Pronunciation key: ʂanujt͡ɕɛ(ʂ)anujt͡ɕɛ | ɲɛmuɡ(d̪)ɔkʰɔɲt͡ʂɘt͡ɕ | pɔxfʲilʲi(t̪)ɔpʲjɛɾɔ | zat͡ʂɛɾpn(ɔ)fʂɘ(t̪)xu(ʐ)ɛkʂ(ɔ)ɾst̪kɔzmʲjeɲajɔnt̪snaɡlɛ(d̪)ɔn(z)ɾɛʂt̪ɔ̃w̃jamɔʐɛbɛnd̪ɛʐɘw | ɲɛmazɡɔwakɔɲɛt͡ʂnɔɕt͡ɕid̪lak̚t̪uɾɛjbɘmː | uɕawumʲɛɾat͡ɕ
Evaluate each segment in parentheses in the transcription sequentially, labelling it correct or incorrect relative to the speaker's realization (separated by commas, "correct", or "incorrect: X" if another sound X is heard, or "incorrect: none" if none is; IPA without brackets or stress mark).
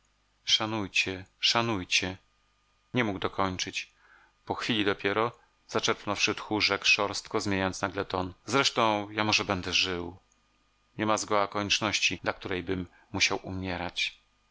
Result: correct, correct, incorrect: d̪, correct, correct, correct, correct, incorrect: t̪, correct